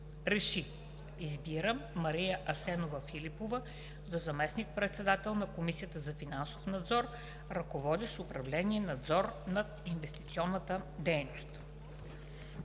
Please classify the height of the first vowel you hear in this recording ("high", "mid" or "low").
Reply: mid